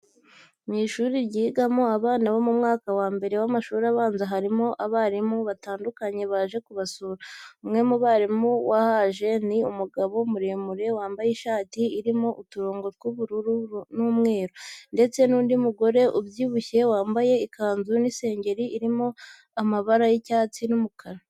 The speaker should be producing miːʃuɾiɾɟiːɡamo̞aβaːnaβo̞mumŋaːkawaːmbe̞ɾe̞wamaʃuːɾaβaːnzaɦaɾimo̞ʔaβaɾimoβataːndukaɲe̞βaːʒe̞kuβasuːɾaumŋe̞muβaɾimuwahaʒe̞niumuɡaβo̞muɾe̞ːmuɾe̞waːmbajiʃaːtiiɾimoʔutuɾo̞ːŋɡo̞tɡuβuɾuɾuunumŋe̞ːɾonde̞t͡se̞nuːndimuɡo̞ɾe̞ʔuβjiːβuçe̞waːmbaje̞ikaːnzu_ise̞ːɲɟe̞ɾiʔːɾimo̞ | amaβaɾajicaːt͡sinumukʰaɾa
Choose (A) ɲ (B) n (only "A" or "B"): B